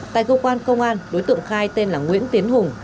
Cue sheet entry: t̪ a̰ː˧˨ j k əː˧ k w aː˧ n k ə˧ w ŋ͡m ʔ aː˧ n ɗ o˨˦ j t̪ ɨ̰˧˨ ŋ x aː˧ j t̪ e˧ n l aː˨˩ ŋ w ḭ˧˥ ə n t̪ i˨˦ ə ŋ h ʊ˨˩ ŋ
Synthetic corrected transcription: t̪ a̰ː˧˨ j k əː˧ k w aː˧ n k ə˧ w ŋ͡m ʔ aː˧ n ɗ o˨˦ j t̪ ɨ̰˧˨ ŋ x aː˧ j t̪ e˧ n l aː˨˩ ŋ w ḭ˧˥ ə n t̪ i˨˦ ə n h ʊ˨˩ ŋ